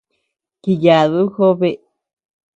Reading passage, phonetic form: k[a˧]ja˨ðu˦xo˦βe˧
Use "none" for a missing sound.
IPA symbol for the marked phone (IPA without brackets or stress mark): i˧